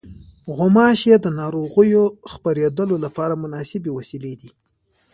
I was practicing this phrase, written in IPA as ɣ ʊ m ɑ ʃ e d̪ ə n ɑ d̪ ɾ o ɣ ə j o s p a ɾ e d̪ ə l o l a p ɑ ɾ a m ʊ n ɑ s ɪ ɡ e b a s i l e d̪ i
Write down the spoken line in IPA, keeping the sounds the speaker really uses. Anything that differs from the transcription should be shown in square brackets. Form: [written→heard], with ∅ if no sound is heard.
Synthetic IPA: ɣ ʊ m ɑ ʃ e d̪ ə n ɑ [d̪→∅] ɾ o ɣ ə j o [s→x] p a ɾ e d̪ ə l o l a p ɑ ɾ a m ʊ n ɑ s ɪ [ɡ→b] e [b→w] a s i l e d̪ i